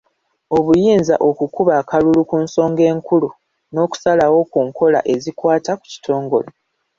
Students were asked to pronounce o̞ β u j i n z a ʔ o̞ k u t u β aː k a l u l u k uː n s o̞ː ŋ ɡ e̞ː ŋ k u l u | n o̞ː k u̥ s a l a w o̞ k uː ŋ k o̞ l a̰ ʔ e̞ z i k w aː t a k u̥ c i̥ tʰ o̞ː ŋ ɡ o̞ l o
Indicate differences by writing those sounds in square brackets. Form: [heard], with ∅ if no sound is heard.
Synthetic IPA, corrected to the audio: o̞ β u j [iː] n z a ʔ o̞ k u [k] u β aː k a l u l u k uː n s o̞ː ŋ ɡ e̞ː ŋ k u l u | n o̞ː k u̥ s a l a w o̞ k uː ŋ k o̞ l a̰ ʔ e̞ z i k w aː t a k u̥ c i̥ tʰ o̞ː ŋ ɡ o̞ l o

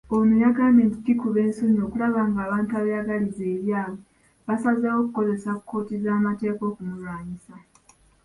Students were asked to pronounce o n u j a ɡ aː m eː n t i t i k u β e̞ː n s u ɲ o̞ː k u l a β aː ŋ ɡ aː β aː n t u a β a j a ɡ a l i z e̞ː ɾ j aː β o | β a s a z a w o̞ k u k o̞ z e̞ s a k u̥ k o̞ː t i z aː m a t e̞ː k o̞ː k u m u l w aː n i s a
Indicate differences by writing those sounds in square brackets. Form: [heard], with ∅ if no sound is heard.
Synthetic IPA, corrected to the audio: o n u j a ɡ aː m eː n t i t i k u β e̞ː n s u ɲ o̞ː k u l a β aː ŋ ɡ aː β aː n t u a β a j a ɡ a l i z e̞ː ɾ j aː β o | β a s a z a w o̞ k u k o̞ z e̞ s a k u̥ k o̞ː t i z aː m a t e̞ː k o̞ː k u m u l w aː [ɲ] i s a

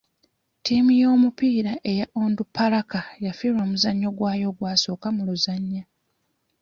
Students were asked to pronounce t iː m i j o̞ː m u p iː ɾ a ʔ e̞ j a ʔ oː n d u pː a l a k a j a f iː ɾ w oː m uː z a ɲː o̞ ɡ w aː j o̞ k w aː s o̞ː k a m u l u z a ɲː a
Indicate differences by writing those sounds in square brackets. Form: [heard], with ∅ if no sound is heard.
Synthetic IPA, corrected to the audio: t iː m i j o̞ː m u p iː ɾ a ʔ e̞ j a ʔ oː n d u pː a l a k a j a f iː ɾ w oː m [u] z a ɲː o̞ ɡ w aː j o̞ [ɡ] w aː s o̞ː k a m u l u z a ɲː a

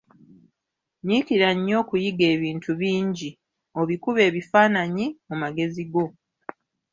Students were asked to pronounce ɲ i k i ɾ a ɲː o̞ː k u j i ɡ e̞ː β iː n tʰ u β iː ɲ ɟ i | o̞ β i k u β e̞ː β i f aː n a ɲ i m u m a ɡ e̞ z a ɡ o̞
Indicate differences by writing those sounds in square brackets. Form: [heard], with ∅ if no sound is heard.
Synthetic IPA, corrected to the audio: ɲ i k i ɾ a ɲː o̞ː k u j i ɡ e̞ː β iː n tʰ u β iː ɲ ɟ i | o̞ β i k u β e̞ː β i f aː n a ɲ i m u m a ɡ e̞ z [i] ɡ o̞

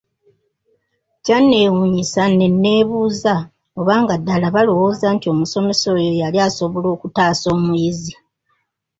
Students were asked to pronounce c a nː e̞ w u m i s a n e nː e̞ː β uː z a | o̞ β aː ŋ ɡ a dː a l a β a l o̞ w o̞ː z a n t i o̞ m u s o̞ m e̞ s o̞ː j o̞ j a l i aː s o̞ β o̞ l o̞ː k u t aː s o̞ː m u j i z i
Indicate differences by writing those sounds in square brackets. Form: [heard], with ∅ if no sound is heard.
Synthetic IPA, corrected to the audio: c a nː e̞ w u [ɲ] i s a n e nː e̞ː β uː z a | o̞ β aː ŋ ɡ a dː a l a β a l o̞ w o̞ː z a n t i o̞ m u s o̞ m e̞ s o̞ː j o̞ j a l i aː s o̞ β o̞ l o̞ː k u t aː s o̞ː m u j i z i

